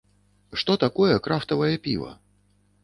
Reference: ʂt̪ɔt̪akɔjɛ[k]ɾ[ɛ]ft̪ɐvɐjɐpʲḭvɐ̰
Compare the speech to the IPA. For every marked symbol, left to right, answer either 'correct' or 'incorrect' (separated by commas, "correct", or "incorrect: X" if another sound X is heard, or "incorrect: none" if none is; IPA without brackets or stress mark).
correct, incorrect: a